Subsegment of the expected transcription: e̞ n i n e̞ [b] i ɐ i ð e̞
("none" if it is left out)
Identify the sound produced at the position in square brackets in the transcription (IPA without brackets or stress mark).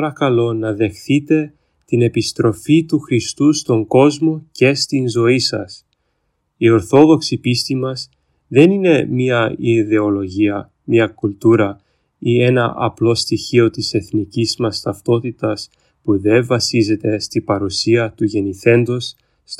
m